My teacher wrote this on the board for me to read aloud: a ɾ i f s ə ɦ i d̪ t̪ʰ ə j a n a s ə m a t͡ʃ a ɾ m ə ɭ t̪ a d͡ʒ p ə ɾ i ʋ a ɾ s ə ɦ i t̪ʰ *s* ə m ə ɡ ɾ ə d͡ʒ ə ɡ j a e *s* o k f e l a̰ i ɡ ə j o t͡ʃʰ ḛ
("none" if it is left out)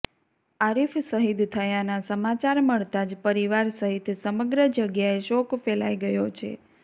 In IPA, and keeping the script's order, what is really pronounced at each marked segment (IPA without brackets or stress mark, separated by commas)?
s, ʃ